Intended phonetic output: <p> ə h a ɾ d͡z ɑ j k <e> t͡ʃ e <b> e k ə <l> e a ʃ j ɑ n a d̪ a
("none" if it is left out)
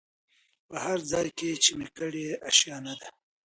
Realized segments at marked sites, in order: p, e, m, ɽ

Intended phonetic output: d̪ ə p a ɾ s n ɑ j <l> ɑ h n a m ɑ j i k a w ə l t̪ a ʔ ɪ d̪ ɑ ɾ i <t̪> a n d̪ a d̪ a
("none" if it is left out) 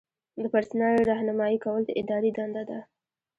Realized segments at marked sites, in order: ɾ, d̪

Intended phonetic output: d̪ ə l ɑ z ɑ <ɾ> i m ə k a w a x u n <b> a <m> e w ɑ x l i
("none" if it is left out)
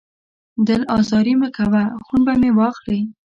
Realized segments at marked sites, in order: ɾ, b, m

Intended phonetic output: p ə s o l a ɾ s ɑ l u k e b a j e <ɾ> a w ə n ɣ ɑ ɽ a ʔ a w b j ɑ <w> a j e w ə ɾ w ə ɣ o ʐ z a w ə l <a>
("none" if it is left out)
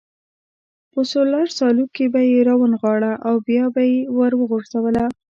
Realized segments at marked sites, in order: ɾ, b, a

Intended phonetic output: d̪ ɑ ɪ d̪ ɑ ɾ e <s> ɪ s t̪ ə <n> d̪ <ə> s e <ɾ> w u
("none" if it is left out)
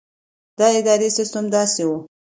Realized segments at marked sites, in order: s, m, ɑ, none

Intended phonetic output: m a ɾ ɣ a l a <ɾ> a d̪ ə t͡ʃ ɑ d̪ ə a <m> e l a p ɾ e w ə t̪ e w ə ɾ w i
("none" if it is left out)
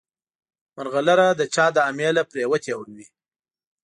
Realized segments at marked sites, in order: ɾ, m

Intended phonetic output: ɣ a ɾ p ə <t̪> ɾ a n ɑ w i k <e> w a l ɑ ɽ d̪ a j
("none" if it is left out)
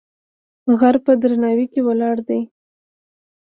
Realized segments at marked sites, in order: d̪, e

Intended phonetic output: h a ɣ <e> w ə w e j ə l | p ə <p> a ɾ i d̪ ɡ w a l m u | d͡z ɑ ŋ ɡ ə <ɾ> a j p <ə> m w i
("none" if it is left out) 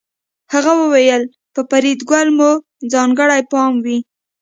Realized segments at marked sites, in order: a, p, ɽ, ɑ

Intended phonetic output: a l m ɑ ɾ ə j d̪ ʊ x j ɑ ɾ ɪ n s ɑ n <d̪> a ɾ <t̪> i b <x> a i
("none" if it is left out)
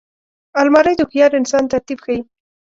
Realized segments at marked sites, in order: t̪, t̪, x

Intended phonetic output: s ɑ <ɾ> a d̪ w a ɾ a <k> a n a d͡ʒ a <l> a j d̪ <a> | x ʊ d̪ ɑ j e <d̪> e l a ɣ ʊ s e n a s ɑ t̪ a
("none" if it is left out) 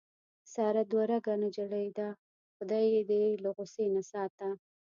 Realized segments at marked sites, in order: ɾ, ɡ, ɽ, a, d̪

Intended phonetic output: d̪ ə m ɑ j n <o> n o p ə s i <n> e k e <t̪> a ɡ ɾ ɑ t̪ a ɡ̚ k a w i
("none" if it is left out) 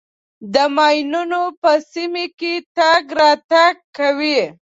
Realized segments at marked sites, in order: u, m, t̪

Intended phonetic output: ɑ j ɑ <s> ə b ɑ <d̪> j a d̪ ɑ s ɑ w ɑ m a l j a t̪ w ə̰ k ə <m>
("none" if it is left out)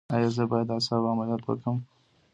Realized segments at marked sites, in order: z, none, m

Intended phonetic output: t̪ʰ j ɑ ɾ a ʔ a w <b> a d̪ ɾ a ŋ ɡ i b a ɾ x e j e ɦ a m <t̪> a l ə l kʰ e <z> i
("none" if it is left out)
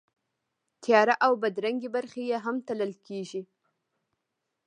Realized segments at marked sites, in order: b, t̪, ʒ

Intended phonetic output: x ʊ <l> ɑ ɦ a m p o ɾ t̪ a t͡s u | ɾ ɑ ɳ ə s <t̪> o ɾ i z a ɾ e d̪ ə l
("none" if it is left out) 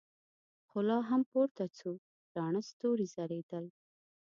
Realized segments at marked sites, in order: l, t̪

